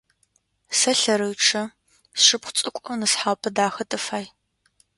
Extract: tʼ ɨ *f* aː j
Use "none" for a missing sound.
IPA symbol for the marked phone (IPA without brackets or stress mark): f